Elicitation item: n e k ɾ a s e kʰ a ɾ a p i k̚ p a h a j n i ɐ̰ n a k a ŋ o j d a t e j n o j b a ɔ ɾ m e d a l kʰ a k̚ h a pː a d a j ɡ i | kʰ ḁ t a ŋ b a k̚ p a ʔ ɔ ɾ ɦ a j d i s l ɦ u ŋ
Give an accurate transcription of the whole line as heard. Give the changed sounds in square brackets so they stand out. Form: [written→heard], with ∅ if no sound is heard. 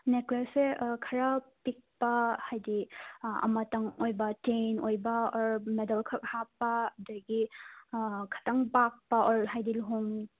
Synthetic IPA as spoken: n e k [ɾ→l] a s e kʰ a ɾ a p i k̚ p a h a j [n→d] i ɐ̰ [n→m] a [k→t] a ŋ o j [d→b] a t e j n o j b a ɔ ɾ m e d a l kʰ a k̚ h a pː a d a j ɡ i | kʰ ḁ t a ŋ b a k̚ p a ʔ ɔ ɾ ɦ a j d i [s→∅] l ɦ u ŋ